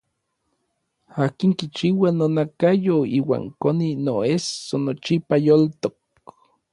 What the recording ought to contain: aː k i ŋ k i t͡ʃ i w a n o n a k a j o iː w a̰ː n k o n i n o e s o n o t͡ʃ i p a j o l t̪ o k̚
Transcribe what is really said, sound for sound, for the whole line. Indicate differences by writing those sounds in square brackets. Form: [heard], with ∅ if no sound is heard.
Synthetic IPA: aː k i ŋ k i t͡ʃ i w a n o n a k a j o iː w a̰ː [ŋ] k o n i n o e s o n o t͡ʃ i p a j o l t̪ o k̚